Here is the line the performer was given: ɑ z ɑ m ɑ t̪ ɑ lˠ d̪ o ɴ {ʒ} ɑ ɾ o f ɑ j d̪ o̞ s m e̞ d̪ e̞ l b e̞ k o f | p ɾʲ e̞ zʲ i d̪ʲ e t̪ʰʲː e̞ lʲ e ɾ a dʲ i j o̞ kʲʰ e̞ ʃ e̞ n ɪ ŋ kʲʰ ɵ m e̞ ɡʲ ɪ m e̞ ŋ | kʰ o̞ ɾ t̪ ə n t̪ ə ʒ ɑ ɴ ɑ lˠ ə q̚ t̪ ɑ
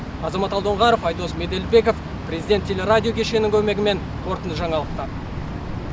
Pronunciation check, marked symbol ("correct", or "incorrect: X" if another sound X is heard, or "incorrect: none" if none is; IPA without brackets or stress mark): incorrect: ʁ